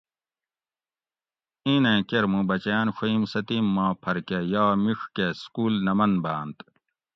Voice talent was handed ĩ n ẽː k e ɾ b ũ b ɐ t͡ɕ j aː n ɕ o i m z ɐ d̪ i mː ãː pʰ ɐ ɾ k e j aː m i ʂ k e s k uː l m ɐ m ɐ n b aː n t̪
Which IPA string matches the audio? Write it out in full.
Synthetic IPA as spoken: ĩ n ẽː k e ɾ m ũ b ɐ t͡ɕ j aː n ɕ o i m s ɐ t̪ i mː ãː pʰ ɐ ɾ k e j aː m i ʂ k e s k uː l n ɐ m ɐ n b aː n t̪